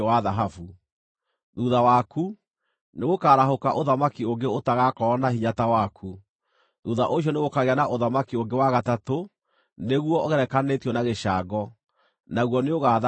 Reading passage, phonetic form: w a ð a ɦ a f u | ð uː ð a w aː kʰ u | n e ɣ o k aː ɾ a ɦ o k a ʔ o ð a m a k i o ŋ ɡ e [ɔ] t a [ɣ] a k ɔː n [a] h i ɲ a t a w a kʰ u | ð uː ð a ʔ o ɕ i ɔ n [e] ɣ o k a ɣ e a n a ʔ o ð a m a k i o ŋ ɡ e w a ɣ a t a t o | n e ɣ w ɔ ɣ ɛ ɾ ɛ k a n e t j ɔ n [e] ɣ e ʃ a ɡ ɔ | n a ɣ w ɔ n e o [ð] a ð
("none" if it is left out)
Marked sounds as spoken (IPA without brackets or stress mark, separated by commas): o, ɣ, a, e, a, ɣ